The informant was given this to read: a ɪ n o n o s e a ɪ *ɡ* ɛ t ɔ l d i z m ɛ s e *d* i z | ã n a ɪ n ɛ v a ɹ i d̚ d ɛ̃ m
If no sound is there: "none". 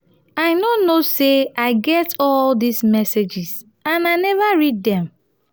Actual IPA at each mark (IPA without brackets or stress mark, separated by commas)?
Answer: ɡ, d͡ʒ